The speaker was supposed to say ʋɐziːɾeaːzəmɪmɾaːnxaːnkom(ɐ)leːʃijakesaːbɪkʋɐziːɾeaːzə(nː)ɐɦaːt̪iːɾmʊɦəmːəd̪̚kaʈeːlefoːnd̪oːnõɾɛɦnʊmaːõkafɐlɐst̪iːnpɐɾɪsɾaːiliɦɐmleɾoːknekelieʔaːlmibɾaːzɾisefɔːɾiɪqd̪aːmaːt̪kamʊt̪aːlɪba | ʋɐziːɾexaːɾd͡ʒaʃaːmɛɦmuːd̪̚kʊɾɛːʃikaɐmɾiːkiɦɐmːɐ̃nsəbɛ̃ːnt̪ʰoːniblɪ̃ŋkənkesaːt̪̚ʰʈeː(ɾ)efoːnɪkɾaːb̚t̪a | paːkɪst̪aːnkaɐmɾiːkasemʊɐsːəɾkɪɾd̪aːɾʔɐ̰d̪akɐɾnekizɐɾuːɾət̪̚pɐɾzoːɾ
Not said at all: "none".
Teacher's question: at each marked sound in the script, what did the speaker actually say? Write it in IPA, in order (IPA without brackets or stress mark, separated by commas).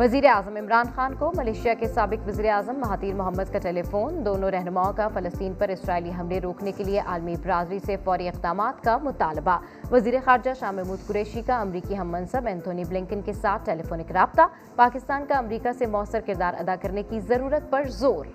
ɐ, mː, l